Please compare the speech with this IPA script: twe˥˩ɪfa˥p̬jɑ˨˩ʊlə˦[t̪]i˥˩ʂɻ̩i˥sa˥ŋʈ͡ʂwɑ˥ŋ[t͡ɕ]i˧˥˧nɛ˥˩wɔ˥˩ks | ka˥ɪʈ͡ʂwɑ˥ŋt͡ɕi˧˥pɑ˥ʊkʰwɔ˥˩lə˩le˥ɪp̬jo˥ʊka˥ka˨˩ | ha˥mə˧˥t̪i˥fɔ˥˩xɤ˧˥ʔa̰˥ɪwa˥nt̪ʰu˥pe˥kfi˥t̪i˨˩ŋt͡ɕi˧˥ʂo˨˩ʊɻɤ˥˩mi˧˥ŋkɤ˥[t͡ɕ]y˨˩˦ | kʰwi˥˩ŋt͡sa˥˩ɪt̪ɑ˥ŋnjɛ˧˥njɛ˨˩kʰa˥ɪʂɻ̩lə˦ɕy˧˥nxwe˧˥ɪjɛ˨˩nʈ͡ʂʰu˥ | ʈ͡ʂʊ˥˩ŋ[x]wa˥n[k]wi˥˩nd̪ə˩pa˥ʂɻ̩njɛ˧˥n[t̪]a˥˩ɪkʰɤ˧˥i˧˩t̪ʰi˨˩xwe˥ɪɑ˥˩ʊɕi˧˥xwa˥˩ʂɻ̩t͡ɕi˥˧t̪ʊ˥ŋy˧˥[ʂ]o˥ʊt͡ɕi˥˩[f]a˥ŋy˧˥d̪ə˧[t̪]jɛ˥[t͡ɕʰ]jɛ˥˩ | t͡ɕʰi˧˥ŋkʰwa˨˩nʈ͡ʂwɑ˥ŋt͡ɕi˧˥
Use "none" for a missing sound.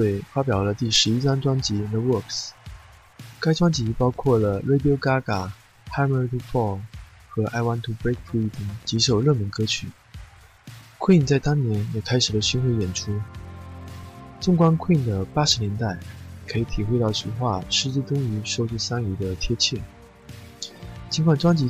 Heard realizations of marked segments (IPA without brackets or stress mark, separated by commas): t̪, t͡ɕ, t͡ɕʰ, k, kʰ, t̪, ʂ, s, t̪ʰ, t͡ɕʰ